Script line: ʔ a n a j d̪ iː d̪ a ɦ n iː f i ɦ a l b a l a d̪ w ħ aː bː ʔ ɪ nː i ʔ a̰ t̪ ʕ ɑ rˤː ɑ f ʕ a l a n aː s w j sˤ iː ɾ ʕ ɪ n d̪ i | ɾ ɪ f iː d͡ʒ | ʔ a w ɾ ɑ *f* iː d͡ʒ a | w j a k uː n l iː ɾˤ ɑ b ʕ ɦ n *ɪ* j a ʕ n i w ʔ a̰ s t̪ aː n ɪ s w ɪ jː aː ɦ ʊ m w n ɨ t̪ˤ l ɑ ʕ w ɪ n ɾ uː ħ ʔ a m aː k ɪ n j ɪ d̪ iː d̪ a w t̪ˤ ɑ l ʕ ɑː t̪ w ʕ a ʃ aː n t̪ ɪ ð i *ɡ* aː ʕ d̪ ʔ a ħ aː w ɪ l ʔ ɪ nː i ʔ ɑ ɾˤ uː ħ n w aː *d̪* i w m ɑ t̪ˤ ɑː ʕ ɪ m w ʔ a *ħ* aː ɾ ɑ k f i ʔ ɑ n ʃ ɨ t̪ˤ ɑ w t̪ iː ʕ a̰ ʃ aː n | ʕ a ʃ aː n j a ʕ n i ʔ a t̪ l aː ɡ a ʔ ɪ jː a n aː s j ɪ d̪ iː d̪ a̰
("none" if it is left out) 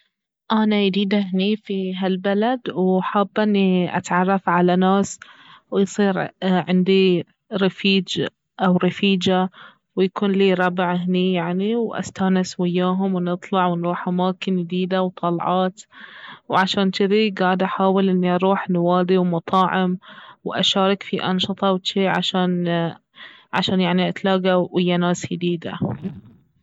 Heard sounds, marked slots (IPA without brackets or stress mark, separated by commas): f, i, ɡ, d̪, ʃ